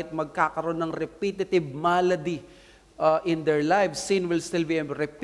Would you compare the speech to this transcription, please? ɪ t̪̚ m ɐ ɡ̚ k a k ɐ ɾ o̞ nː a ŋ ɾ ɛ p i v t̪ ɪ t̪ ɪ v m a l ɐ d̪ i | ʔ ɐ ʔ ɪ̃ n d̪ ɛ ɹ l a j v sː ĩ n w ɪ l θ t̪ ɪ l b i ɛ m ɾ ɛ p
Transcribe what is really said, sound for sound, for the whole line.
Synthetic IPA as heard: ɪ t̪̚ m ɐ ɡ̚ k a k ɐ ɾ o̞ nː ɐ ŋ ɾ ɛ p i t̪ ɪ t̪ ɪ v m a l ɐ d̪ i | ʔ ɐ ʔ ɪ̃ n d̪ ɛ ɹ l a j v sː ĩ n w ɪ l s t̪ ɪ l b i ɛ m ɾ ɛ p